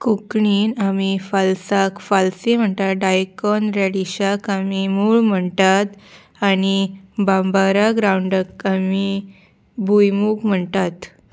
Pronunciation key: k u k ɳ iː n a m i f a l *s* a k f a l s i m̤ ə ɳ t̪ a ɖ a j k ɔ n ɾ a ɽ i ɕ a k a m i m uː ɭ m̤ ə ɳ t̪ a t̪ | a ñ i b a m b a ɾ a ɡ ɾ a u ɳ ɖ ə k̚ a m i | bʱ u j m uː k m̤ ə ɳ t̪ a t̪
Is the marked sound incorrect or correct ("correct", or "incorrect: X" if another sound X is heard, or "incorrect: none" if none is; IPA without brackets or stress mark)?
correct